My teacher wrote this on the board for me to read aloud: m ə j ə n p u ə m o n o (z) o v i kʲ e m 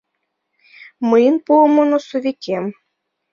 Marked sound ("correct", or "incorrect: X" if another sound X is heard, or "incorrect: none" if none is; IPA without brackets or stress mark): incorrect: s